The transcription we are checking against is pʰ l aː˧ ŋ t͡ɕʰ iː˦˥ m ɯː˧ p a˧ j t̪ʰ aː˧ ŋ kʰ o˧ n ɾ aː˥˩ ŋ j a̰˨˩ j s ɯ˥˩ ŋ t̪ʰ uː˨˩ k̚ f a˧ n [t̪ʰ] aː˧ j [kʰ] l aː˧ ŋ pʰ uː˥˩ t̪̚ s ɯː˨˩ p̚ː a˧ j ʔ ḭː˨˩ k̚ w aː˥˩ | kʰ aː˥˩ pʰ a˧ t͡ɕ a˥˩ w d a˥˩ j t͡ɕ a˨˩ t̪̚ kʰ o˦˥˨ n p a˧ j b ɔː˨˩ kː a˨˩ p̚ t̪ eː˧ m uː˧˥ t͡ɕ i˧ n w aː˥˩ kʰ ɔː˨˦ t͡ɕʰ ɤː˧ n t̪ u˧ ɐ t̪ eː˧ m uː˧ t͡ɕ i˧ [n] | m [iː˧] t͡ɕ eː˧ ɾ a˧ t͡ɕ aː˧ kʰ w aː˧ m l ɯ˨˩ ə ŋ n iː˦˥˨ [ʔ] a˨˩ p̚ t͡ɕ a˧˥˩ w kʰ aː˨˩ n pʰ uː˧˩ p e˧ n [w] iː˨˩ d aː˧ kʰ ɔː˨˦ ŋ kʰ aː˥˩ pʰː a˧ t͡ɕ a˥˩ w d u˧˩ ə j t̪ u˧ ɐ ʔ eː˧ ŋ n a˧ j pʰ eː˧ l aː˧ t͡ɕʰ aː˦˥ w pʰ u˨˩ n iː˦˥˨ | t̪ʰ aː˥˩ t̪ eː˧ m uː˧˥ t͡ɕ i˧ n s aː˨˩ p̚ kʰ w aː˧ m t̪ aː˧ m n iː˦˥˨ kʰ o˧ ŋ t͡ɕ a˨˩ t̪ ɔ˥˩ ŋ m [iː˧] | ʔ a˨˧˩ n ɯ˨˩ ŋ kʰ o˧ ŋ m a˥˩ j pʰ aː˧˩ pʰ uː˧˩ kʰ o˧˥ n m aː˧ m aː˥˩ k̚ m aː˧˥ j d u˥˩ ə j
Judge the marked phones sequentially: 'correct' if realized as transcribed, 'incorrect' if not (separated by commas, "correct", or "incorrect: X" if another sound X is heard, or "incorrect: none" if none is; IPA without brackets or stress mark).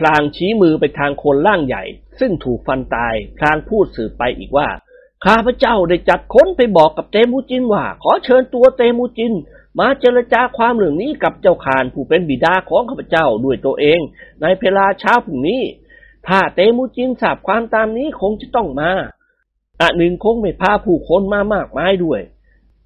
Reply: incorrect: t̪, incorrect: pʰ, correct, incorrect: aː˧, incorrect: k, incorrect: b, incorrect: aː˧